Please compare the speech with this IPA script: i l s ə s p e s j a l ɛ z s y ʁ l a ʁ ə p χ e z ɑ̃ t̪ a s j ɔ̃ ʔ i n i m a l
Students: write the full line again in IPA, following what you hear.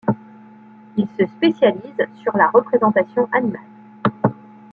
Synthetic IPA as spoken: i l s ə s p e s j a l i z s y ʁ l a ʁ ə p χ e z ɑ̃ t̪ a s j ɔ̃ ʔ a n i m a l